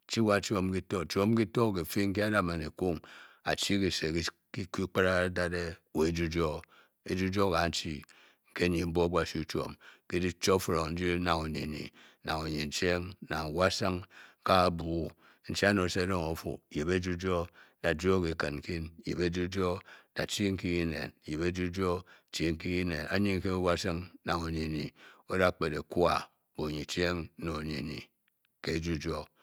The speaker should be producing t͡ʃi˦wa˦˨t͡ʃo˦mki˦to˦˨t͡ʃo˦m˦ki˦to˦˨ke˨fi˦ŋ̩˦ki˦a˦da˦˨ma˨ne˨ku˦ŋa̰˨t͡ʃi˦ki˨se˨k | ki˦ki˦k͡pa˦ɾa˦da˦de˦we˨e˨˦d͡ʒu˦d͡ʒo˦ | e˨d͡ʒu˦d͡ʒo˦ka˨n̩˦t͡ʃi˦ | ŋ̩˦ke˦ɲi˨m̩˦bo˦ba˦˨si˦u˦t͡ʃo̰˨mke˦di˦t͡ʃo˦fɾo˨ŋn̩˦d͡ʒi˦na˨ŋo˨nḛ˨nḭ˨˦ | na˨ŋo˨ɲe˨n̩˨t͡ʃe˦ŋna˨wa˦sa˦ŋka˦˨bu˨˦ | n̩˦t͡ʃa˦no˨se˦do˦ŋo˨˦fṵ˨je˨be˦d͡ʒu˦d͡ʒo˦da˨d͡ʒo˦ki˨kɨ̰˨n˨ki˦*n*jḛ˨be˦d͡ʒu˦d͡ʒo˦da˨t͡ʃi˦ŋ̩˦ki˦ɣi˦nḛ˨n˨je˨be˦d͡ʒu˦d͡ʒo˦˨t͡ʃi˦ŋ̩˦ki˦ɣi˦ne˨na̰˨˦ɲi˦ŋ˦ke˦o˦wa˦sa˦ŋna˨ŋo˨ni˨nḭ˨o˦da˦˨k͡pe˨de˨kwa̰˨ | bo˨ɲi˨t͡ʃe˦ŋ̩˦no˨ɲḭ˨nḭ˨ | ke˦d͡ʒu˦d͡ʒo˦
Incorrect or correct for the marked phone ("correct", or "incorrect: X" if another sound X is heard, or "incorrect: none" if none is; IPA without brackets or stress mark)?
correct